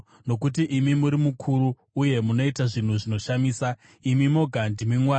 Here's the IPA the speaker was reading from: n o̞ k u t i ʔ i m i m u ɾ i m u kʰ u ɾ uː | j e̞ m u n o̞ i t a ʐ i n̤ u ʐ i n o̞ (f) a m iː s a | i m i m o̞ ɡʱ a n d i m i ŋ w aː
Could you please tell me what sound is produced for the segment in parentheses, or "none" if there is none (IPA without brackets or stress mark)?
ʃ